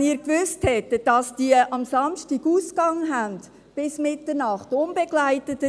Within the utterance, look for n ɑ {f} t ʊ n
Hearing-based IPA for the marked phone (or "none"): χ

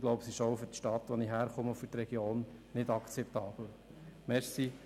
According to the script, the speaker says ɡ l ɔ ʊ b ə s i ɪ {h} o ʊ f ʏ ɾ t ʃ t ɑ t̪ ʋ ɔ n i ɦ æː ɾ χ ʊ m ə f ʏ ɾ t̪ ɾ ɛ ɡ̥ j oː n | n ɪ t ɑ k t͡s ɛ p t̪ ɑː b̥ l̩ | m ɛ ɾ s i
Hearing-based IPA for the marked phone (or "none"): ʃ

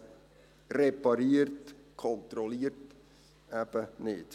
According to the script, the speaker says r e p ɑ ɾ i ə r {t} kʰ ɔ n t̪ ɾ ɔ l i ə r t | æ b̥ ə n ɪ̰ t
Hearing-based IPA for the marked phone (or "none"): t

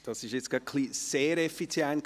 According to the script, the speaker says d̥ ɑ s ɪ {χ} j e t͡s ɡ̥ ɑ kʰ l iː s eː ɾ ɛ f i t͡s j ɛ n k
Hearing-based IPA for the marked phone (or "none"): ʃ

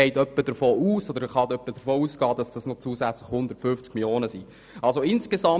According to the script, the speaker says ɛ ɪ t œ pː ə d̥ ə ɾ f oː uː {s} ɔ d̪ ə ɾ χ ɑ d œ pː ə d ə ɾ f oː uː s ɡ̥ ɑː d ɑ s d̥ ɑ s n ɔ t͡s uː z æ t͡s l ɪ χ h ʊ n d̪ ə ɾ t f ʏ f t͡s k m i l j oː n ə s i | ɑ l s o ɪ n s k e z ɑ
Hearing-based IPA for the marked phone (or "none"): s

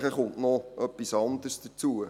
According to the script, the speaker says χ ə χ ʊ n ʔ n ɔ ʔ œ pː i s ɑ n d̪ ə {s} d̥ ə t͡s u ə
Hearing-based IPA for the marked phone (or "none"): s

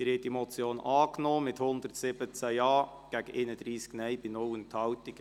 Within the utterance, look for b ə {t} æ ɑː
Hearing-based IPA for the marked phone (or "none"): t͡s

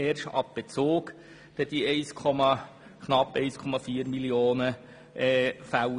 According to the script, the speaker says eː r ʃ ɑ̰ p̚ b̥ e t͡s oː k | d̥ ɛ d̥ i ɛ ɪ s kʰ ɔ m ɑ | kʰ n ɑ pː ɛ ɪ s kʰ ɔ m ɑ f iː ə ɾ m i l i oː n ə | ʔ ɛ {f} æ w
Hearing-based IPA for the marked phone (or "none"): f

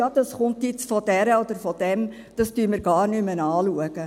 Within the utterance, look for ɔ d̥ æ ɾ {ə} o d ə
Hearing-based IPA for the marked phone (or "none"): ə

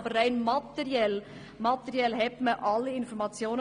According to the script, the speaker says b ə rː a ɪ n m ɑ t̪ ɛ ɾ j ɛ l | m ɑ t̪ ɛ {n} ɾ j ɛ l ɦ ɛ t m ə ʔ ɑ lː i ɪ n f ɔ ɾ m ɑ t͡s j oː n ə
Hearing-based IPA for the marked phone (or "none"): none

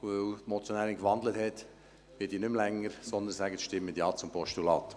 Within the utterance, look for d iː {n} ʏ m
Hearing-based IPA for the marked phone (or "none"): n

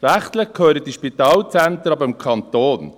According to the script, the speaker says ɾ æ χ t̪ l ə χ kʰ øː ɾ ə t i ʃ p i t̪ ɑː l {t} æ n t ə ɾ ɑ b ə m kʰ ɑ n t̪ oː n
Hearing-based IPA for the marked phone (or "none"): t͡s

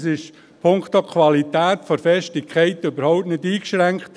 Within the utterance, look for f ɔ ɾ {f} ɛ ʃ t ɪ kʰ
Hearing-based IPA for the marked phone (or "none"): f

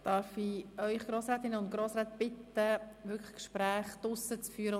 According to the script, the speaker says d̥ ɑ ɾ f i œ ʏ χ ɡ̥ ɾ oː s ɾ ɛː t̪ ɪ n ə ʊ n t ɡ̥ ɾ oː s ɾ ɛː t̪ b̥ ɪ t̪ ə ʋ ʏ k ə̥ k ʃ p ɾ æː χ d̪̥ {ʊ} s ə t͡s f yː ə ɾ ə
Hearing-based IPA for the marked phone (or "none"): ʊ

